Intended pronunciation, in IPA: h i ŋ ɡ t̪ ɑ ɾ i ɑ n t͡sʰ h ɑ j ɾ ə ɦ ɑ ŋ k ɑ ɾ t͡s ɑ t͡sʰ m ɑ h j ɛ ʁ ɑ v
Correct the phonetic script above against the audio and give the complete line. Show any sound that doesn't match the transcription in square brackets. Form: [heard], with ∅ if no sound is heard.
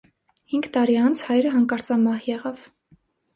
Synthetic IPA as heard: h i ŋ ɡ t̪ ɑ ɾ i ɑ n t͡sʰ h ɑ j ɾ ə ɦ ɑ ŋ k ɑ ɾ t͡s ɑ [∅] m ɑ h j ɛ ʁ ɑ v